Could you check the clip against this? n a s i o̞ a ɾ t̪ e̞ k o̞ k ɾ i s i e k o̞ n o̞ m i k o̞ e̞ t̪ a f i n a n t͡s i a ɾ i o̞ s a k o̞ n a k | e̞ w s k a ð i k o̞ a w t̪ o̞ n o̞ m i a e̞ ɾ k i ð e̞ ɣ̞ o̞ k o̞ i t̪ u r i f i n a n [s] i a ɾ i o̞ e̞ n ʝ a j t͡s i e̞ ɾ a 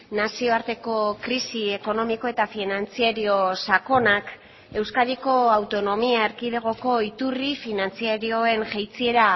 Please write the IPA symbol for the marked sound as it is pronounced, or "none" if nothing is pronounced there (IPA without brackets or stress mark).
t͡s